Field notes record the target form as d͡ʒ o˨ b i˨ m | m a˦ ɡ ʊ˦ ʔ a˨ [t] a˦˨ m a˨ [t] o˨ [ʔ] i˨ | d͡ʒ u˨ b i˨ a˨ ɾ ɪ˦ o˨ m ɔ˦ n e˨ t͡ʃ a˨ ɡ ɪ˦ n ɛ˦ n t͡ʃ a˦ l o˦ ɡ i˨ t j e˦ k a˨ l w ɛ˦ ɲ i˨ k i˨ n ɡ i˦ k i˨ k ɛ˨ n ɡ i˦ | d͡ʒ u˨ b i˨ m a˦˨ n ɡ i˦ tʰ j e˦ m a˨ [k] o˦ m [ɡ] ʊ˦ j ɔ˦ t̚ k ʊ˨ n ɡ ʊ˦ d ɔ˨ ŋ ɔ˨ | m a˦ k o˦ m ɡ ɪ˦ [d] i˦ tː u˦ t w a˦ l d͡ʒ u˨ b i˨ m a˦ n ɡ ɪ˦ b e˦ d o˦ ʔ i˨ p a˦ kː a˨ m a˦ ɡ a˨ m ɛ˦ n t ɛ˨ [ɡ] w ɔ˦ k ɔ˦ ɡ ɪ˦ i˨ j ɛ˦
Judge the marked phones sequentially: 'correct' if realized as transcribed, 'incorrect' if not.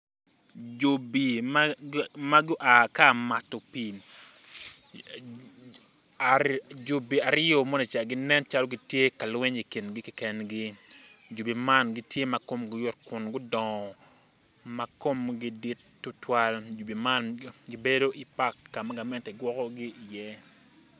incorrect: k, correct, incorrect: p, correct, correct, correct, correct

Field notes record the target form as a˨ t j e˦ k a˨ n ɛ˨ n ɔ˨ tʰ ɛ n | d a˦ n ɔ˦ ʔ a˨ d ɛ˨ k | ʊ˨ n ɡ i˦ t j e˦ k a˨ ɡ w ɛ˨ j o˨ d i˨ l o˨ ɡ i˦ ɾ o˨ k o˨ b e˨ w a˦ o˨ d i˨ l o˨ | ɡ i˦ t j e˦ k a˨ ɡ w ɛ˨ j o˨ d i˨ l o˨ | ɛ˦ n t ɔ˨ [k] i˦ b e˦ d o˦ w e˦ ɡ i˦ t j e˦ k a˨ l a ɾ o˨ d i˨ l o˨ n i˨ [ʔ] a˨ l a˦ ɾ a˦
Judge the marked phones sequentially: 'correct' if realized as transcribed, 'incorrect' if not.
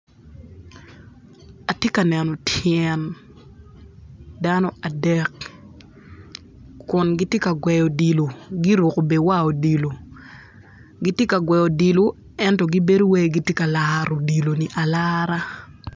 incorrect: ɡ, correct

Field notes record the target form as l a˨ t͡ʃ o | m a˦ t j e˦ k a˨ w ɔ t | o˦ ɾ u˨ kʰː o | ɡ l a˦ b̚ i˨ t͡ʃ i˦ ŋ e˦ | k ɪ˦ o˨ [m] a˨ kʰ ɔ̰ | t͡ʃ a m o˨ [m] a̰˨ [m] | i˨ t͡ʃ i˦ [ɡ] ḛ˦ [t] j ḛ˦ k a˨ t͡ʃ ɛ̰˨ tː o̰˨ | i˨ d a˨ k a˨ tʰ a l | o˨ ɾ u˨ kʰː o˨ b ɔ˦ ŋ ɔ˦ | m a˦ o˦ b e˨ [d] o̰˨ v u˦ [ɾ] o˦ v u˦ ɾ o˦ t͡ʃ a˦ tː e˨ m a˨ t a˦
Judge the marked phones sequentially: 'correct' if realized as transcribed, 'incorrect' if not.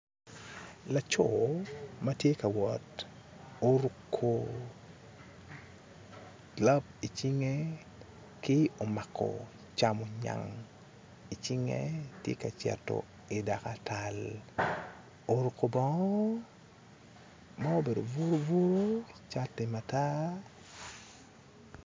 correct, incorrect: ɲ, incorrect: ŋ, incorrect: ŋ, correct, correct, correct

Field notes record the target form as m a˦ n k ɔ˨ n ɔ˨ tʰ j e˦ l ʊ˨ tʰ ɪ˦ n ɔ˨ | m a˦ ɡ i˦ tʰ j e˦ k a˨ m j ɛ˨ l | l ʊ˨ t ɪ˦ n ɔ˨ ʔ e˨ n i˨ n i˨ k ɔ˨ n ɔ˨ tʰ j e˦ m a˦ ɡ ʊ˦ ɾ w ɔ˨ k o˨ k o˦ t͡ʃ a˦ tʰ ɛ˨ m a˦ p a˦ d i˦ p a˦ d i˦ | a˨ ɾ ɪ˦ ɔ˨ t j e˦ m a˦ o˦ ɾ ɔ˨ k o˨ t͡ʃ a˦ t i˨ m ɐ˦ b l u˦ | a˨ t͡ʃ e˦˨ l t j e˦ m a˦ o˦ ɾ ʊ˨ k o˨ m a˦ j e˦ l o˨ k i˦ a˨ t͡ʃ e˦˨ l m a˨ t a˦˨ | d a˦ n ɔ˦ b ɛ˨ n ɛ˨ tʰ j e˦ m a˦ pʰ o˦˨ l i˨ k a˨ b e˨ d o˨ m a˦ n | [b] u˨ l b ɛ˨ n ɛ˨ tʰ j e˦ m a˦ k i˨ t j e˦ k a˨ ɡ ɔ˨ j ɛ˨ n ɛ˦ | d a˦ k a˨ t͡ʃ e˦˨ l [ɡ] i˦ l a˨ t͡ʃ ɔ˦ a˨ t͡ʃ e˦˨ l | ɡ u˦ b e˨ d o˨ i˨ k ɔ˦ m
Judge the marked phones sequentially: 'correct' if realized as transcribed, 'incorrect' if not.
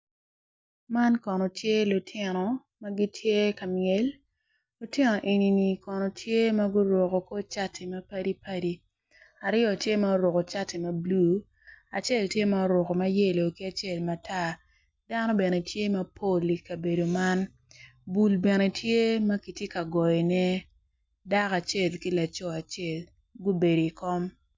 correct, incorrect: k

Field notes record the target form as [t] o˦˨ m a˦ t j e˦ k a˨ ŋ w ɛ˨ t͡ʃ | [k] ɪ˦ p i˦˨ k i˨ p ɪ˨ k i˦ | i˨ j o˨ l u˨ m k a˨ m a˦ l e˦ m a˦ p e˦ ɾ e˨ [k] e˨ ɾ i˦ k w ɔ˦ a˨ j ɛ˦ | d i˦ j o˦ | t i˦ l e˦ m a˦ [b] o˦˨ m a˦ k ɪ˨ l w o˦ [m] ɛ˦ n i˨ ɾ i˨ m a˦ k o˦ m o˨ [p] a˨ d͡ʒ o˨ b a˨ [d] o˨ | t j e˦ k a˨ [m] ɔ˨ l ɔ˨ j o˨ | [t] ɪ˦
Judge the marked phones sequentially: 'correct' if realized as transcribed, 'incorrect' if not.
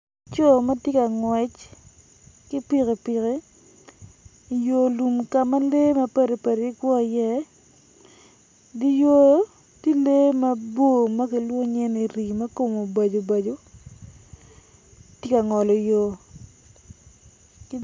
incorrect: t͡ʃ, correct, incorrect: p, correct, incorrect: ɲ, incorrect: b, incorrect: d͡ʒ, incorrect: ŋ, incorrect: k

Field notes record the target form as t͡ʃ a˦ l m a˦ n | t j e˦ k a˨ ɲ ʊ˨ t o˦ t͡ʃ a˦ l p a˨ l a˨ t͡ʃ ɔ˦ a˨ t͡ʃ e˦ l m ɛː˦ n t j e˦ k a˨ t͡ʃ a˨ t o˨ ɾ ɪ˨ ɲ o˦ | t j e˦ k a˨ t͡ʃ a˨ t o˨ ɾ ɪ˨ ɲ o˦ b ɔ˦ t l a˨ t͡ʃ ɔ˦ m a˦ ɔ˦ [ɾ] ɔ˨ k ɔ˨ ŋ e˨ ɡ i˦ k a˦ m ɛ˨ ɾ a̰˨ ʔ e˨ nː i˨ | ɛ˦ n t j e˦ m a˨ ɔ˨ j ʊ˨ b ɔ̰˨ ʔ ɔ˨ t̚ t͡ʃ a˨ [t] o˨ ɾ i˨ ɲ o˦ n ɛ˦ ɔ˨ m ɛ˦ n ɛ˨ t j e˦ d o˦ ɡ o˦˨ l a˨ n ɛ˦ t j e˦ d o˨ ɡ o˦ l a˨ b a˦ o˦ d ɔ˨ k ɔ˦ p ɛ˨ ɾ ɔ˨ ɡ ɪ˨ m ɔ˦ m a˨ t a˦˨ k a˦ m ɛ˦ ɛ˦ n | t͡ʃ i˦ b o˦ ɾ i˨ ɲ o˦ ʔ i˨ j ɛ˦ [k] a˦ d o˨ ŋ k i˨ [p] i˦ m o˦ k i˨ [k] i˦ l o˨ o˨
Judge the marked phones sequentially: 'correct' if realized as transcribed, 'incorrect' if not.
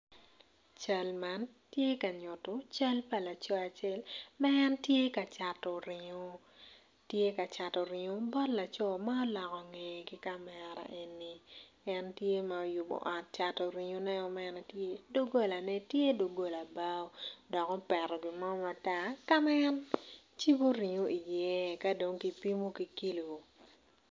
incorrect: l, correct, correct, correct, correct

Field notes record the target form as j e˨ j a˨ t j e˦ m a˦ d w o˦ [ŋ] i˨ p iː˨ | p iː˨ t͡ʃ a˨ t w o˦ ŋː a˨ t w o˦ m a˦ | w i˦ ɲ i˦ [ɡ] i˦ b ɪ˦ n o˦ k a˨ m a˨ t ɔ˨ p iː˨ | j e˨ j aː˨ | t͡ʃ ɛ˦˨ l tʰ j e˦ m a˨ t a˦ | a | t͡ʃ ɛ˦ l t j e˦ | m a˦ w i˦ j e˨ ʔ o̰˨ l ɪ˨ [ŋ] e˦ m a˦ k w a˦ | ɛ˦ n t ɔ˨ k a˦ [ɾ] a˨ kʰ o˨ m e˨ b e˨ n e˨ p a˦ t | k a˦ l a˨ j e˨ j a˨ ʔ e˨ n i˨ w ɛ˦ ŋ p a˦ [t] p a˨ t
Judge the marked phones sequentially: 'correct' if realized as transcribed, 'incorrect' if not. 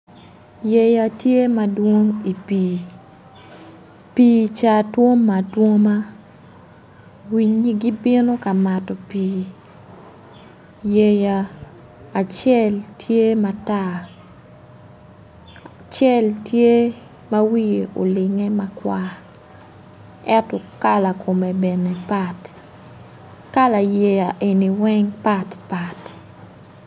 correct, correct, correct, incorrect: l, correct

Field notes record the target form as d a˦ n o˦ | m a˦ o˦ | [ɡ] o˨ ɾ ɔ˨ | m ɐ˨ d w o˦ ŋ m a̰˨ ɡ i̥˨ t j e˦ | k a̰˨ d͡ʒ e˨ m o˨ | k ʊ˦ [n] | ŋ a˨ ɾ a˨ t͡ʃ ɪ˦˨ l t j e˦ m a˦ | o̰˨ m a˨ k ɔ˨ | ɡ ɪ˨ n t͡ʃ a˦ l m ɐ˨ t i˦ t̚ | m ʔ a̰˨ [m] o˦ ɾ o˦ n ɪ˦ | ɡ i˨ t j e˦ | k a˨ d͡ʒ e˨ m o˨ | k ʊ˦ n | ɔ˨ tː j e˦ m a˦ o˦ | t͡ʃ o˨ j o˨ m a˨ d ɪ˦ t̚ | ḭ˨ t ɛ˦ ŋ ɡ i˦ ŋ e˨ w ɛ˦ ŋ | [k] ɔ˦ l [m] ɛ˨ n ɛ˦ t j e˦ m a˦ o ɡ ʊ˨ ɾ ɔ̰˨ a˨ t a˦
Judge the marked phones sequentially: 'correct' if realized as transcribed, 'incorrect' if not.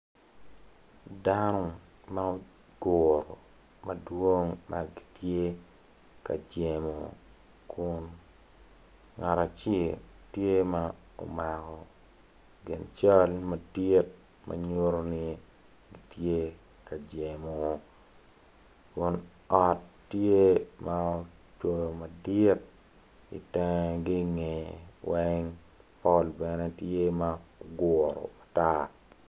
correct, correct, incorrect: ɲ, incorrect: p, incorrect: b

